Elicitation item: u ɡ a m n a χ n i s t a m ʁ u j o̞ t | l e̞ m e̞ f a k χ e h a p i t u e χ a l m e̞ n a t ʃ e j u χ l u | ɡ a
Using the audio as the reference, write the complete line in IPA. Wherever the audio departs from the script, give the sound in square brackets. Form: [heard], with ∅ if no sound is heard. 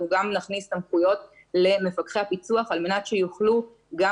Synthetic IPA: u ɡ a m n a χ n i s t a m [χ] u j o̞ t | l e̞ m e̞ f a k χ e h a p i [t͡s] u [a] χ a l m e̞ n a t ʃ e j u χ l u | ɡ a

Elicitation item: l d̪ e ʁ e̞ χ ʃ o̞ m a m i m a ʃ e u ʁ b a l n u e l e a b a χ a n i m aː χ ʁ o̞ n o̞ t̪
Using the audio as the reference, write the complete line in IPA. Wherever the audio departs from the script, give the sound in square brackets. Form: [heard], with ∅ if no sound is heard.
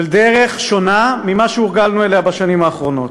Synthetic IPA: l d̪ e ʁ e̞ χ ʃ o̞ [n] a m i m a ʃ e u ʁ [ɡ] a l n u e l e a b a [ʃ] a n i m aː χ ʁ o̞ n o̞ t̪

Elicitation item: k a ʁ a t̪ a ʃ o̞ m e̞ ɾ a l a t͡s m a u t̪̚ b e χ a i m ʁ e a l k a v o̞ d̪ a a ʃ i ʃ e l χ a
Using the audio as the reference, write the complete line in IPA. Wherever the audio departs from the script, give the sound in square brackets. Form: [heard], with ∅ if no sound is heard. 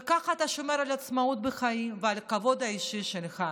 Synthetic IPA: k a [χ] a t̪ a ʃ o̞ m e̞ ɾ a l a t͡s m a u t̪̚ b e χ a i m [v] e a l k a v o̞ d̪ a [i] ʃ i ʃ e l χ a

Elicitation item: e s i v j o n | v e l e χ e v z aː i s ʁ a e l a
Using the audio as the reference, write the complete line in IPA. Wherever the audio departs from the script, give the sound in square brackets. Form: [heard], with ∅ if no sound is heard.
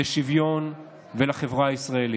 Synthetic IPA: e [ʃ] i v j o n | v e l [a] χ e v [ʁ] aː i s ʁ a e l [i]

